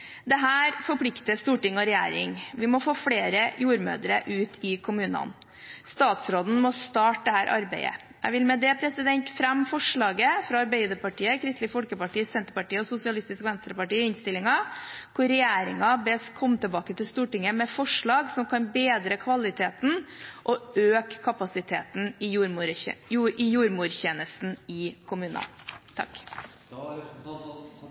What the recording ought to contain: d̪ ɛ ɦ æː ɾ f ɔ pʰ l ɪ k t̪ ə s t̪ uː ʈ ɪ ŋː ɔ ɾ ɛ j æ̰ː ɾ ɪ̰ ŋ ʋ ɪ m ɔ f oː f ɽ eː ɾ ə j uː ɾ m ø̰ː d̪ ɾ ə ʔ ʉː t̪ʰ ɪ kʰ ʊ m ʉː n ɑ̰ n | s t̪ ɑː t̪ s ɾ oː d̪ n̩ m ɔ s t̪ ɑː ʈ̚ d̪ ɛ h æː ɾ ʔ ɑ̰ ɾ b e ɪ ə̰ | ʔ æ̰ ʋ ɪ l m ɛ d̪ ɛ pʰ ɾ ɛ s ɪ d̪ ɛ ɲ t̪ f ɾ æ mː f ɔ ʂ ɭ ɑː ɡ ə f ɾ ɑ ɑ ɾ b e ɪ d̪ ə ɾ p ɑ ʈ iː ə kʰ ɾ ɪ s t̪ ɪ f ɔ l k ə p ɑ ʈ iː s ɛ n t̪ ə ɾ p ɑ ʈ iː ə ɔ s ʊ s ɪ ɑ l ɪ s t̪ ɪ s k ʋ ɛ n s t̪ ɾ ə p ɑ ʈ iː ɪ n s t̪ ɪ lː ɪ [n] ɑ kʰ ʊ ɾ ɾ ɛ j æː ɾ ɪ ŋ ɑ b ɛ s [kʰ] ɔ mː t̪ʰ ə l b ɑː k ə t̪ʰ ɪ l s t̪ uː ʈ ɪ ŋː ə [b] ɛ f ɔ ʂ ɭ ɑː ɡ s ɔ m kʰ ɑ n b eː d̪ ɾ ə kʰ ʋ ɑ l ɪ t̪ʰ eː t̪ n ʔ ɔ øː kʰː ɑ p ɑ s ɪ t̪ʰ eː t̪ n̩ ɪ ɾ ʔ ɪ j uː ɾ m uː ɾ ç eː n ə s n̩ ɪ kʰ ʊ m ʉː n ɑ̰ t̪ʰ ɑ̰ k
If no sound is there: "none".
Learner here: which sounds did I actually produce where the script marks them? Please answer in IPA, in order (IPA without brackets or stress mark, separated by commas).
ŋ, kʰ, m